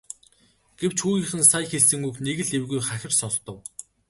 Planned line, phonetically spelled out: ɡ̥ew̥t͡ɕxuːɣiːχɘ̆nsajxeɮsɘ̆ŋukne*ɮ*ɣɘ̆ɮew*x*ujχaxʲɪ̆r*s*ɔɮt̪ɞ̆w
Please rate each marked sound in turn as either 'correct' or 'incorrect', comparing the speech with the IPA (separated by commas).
incorrect, incorrect, correct